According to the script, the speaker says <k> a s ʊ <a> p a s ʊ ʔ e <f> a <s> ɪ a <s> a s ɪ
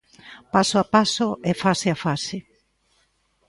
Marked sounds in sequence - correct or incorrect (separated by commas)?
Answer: incorrect, correct, correct, correct, incorrect